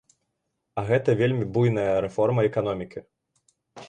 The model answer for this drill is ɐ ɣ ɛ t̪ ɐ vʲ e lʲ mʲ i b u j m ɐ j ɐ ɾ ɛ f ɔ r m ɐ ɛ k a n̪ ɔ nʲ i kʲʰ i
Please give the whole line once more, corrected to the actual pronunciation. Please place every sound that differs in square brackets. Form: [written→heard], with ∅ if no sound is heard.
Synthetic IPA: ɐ ɣ ɛ t̪ ɐ vʲ e lʲ mʲ i b u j [m→n] ɐ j ɐ ɾ ɛ f ɔ r m ɐ ɛ k a n̪ ɔ [nʲ→mʲ] i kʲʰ i